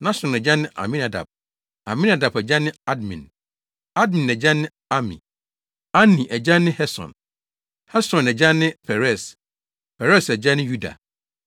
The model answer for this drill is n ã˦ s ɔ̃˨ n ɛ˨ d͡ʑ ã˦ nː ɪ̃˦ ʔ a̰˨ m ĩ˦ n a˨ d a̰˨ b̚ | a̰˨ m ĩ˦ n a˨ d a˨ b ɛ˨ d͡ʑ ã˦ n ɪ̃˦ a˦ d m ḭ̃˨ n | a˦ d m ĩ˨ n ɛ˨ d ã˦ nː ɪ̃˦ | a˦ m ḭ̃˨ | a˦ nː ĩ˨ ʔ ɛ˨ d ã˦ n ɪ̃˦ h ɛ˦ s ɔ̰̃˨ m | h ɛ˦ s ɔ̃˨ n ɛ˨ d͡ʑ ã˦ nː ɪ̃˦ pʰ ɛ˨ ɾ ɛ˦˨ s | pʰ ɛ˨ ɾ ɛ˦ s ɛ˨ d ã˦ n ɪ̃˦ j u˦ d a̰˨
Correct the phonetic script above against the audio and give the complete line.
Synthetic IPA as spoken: n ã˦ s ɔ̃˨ n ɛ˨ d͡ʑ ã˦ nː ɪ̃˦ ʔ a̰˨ m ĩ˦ n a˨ d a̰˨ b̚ | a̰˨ m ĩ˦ n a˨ d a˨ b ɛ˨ d͡ʑ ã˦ n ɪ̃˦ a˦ d m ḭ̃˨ n | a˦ d m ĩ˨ n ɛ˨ d͡ʑ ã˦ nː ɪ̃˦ | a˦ m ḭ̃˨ | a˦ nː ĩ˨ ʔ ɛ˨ d͡ʑ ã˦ n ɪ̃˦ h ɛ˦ s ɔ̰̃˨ n | h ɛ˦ s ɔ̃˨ n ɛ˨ d͡ʑ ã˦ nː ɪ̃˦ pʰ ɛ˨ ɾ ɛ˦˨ s | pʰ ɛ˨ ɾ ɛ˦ s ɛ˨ d͡ʑ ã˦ n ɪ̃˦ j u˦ d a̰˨